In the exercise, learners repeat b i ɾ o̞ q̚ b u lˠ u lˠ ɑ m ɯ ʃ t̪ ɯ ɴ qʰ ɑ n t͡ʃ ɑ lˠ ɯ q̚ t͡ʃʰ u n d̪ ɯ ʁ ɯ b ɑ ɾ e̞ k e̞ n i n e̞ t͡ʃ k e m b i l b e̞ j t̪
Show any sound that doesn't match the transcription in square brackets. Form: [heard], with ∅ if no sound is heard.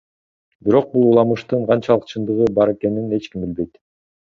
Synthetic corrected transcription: b i ɾ o̞ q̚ b u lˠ u lˠ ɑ m ɯ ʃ t̪ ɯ ɴ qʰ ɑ n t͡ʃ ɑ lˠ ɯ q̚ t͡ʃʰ [ɯ] n d̪ ɯ ʁ ɯ b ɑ ɾ e̞ k e̞ n i n e̞ t͡ʃ k [i] m b i l b e̞ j t̪